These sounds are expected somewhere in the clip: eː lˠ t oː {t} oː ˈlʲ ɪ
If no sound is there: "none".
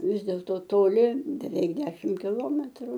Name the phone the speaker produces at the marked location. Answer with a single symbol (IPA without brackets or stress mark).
t